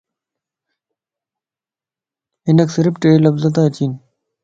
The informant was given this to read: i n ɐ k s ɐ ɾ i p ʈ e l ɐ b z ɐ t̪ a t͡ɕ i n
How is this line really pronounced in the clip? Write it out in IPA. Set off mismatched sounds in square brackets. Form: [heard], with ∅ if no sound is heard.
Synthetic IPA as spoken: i n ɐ k s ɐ ɾ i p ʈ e l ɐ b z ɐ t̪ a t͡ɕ i n